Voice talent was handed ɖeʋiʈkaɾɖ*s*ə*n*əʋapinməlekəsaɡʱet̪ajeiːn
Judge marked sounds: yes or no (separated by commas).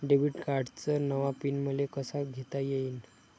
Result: no, yes